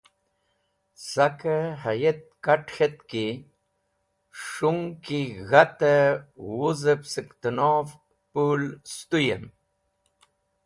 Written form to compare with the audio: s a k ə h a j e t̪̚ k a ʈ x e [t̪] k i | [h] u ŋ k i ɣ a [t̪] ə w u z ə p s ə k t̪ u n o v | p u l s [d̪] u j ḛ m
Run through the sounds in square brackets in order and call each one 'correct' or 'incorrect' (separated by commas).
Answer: correct, incorrect, correct, incorrect